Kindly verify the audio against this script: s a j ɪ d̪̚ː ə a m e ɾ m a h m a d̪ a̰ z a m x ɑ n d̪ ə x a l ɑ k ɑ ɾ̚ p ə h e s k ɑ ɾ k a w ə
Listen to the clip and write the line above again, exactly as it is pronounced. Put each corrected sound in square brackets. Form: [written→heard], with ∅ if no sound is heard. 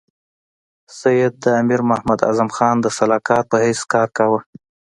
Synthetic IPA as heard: s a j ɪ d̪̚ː ə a m [e→i] ɾ m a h m a d̪ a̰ z a m x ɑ n d̪ ə [x→s] a l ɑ k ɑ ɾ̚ p ə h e s k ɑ ɾ k a w ə